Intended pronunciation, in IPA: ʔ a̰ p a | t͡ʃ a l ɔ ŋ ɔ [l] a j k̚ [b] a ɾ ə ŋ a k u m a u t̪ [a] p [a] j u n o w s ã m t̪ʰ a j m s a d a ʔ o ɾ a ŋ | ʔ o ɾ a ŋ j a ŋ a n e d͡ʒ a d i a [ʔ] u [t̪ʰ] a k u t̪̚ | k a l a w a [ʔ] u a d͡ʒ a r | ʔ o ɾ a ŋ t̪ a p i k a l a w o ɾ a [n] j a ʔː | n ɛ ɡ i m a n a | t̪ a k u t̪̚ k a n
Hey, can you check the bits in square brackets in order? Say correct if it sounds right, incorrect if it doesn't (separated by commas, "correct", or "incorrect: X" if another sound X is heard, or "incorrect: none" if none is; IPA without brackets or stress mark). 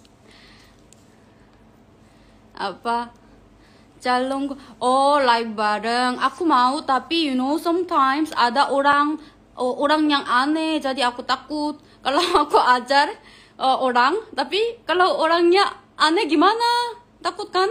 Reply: correct, correct, correct, incorrect: i, incorrect: k, incorrect: t̪, incorrect: k, incorrect: ŋ